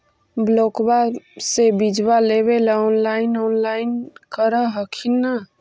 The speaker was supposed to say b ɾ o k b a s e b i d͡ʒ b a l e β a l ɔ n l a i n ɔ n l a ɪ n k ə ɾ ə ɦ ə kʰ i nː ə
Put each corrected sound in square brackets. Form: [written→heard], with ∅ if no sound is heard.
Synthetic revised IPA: b [ɾ→l] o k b a s e b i d͡ʒ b a l e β [a→e] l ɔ n l a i n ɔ n l a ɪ n k ə ɾ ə ɦ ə kʰ i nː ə